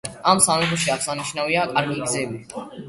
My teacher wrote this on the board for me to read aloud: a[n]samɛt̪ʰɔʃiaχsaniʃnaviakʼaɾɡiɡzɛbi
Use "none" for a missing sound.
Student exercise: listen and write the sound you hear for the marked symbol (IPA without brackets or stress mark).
m